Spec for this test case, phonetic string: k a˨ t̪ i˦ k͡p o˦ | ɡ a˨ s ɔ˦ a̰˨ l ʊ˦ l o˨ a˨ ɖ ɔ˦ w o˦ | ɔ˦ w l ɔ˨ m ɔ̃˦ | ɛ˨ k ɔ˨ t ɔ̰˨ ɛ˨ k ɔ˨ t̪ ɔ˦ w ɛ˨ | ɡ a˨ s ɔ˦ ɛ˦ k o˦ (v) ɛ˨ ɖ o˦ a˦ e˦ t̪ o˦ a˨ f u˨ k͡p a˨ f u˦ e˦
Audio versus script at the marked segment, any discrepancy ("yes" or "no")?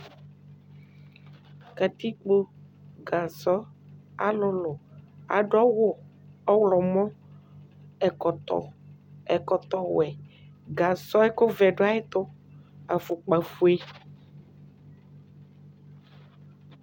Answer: no